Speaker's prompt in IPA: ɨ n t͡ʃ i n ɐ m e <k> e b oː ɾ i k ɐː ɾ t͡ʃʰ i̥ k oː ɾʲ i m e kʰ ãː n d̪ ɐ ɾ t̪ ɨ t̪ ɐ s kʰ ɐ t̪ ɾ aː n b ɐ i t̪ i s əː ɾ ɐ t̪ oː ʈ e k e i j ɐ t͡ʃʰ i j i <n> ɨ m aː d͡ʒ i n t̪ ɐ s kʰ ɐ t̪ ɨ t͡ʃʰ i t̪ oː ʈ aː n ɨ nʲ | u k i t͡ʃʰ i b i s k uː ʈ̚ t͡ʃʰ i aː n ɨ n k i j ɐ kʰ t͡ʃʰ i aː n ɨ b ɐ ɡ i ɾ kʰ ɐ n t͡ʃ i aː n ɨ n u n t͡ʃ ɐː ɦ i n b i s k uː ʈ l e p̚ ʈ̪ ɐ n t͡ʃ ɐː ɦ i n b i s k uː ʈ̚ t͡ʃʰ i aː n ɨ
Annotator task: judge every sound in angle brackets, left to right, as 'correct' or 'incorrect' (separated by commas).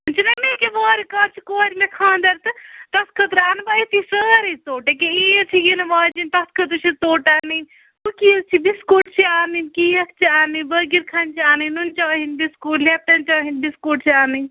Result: correct, correct